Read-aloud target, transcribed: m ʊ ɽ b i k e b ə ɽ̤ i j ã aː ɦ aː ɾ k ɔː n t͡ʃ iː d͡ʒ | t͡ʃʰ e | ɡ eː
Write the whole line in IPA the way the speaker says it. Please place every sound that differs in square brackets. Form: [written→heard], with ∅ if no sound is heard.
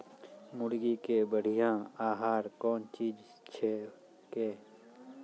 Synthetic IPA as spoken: m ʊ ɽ [b→ɡ] i k e b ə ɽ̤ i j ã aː ɦ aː ɾ k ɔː n t͡ʃ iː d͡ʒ | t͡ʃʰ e | [ɡ→k] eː